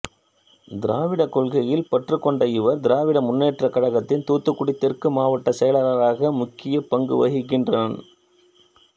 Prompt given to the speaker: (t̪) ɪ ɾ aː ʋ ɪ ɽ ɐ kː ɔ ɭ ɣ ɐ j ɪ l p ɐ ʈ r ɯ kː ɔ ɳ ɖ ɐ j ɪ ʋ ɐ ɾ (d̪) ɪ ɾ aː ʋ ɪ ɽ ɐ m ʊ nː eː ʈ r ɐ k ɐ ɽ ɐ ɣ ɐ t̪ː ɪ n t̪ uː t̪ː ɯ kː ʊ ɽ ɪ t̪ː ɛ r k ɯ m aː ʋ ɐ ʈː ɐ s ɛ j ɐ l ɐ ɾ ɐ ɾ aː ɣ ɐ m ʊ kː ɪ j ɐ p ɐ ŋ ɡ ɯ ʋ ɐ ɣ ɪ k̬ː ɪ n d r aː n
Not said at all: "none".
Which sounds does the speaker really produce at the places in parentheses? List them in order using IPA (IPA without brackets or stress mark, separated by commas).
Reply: d̪, d̪